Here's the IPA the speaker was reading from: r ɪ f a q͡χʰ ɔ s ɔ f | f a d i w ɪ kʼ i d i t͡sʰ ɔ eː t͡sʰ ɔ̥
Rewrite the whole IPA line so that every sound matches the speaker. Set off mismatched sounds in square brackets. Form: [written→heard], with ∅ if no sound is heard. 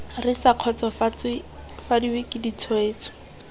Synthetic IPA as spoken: r ɪ [f→s] a q͡χʰ ɔ [s→t͡s] ɔ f | f a d i w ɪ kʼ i d i t͡sʰ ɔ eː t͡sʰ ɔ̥